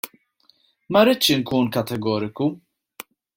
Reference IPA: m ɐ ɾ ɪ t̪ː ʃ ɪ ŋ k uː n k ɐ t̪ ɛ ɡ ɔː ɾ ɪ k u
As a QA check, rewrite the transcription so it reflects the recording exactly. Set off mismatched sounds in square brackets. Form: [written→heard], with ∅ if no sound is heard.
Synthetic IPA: m ɐ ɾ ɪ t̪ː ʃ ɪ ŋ k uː n k ɐ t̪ ɛ ɡ ɔː ɾ ɪ k u